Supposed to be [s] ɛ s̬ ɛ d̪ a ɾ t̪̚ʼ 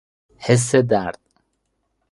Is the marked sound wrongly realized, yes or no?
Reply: yes